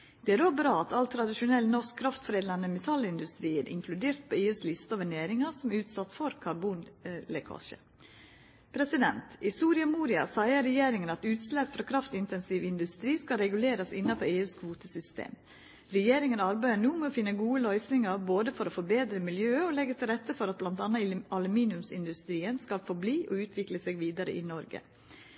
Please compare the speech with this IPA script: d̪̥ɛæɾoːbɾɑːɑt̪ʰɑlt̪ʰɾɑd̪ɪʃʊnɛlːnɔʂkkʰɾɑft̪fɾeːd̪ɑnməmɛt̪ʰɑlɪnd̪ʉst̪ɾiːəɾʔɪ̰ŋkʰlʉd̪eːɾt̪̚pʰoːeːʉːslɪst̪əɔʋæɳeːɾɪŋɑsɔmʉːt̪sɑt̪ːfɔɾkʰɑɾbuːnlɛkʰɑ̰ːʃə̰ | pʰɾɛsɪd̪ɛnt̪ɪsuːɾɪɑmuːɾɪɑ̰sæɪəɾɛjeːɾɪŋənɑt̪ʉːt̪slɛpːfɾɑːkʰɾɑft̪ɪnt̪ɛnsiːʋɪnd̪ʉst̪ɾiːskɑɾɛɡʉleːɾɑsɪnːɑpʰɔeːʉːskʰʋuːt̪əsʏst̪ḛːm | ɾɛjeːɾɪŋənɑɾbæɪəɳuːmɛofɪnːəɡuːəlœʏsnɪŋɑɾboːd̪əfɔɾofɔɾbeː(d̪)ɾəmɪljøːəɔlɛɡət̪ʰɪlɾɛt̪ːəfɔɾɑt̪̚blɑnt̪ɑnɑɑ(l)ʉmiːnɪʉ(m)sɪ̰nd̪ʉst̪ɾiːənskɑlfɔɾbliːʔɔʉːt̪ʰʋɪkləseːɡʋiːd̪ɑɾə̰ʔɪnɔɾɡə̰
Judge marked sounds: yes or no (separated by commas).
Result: yes, yes, yes